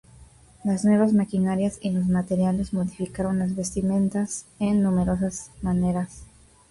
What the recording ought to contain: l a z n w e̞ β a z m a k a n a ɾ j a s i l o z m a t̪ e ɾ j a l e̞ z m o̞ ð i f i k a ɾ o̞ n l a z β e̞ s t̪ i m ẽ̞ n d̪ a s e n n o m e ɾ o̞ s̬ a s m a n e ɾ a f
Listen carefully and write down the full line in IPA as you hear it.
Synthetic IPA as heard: l a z n w e̞ β a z m a k i n a ɾ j a s i l o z m a t̪ e ɾ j a l e̞ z m o̞ ð i f i k a ɾ o̞ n l a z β e̞ s t̪ i m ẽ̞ n t̪ a s e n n u m e ɾ o̞ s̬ a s m a n e ɾ a s